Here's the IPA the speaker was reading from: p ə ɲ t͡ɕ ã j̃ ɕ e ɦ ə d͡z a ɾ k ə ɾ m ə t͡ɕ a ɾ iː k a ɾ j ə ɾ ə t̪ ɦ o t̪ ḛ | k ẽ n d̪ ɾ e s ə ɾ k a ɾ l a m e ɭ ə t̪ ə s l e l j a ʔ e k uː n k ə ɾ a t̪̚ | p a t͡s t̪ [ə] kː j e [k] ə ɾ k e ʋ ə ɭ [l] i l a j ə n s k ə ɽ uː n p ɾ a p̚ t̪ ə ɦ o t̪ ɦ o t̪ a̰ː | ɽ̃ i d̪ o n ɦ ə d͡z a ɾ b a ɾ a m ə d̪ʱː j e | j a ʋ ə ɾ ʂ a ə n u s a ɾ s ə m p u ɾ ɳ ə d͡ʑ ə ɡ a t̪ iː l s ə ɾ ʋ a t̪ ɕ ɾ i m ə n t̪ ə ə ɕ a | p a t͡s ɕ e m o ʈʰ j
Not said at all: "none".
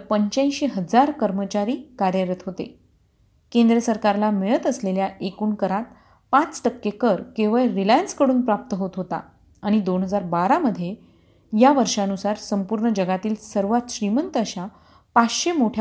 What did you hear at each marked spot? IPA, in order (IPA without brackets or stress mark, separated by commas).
ə, k, ɾ